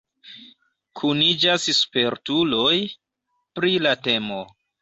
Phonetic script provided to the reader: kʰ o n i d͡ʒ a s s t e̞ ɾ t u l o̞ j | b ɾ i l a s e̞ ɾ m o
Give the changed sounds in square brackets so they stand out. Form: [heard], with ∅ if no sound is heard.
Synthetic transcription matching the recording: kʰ [u] n i d͡ʒ a s s [p] e̞ ɾ t u l o̞ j | [p] ɾ i l a [t] e̞ [∅] m o